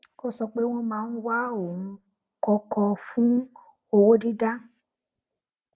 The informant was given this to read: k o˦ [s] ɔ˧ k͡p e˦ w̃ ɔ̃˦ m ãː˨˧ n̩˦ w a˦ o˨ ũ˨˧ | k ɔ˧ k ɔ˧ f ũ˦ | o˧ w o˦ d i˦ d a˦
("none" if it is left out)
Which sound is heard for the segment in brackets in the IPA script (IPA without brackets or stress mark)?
s